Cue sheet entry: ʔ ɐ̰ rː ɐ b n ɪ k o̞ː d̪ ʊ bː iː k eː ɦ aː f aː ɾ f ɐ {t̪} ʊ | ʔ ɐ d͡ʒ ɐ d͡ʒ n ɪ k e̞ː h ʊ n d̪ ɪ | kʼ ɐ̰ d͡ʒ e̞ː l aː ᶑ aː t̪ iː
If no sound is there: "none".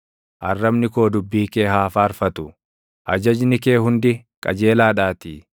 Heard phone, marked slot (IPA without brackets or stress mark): t̪